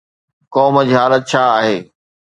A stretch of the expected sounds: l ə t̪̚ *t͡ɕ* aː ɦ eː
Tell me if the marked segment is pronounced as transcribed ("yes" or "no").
no